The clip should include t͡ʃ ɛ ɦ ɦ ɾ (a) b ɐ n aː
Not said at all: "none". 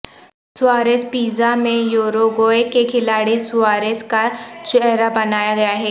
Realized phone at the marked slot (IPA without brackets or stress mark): a